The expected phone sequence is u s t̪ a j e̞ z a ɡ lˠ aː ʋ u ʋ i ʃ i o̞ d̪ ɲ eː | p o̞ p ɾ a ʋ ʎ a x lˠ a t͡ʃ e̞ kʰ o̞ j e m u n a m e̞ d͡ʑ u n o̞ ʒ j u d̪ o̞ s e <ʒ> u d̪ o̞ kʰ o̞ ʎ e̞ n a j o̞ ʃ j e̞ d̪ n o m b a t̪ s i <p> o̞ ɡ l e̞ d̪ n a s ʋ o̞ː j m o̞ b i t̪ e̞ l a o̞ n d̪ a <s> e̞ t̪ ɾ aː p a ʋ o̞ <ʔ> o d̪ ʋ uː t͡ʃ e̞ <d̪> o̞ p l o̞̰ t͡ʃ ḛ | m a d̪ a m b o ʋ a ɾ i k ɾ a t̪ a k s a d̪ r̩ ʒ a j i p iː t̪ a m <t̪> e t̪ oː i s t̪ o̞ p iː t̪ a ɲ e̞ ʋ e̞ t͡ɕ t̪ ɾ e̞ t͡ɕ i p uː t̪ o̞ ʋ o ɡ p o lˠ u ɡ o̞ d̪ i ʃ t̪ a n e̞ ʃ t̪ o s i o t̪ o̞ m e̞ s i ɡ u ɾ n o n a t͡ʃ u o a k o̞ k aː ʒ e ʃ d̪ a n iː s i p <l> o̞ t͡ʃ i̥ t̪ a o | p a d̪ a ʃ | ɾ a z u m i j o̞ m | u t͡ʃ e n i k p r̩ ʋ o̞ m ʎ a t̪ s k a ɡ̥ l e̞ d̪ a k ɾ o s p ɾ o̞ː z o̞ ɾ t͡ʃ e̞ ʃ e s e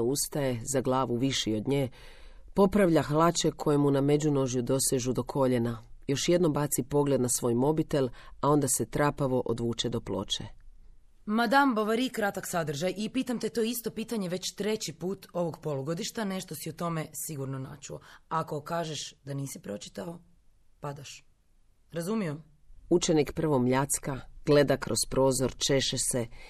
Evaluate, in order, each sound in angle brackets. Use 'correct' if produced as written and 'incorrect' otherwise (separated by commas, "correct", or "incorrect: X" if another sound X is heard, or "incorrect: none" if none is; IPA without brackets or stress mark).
correct, correct, correct, correct, correct, correct, incorrect: ɾ